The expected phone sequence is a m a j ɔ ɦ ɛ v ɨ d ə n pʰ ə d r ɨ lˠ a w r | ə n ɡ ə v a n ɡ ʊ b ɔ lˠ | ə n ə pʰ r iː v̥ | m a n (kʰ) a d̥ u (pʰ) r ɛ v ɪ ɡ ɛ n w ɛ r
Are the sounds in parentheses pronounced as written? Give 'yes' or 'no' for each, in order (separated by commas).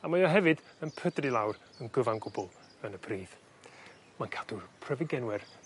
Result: yes, yes